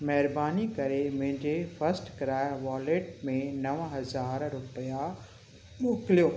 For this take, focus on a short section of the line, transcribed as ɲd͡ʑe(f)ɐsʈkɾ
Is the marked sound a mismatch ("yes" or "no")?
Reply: no